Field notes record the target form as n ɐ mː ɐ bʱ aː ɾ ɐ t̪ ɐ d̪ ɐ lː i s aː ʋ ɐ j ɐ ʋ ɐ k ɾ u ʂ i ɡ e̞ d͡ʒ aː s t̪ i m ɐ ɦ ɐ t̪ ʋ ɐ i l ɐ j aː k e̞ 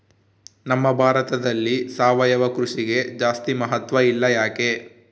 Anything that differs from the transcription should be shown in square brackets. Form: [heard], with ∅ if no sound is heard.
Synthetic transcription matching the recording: n ɐ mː ɐ bʱ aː ɾ ɐ t̪ ɐ d̪ ɐ lː i s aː ʋ ɐ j ɐ ʋ ɐ k ɾ u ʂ i ɡ e̞ d͡ʒ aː s t̪ i m ɐ ɦ ɐ t̪ ʋ ɐ i [lː] ɐ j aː k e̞